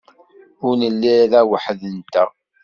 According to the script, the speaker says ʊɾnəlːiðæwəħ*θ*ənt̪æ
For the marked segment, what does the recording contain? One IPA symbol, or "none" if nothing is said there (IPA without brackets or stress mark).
ð